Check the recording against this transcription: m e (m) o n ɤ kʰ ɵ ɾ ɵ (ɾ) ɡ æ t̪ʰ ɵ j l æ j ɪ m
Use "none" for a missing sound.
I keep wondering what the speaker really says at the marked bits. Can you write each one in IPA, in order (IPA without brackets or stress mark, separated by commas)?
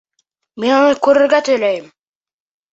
n, ɾ